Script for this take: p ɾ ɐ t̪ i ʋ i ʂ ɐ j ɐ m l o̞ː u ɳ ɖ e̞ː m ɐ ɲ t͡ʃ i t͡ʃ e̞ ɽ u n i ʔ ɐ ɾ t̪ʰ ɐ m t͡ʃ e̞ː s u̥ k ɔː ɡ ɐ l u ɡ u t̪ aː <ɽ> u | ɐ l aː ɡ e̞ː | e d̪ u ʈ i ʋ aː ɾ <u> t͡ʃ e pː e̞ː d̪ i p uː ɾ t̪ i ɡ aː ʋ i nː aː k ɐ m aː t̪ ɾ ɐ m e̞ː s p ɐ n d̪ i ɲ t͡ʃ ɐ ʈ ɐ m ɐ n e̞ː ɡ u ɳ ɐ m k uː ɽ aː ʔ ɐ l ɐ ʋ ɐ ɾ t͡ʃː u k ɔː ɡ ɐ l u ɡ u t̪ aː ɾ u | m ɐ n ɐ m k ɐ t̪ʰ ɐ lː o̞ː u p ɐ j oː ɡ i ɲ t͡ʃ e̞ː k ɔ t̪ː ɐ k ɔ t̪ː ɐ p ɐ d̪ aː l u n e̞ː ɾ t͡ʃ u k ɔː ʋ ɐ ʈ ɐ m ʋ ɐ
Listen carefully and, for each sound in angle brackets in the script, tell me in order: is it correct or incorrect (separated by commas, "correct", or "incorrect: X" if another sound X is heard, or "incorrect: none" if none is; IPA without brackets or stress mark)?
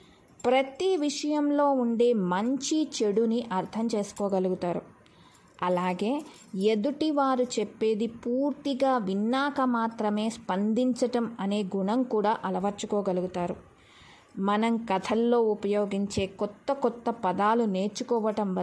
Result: incorrect: ɾ, correct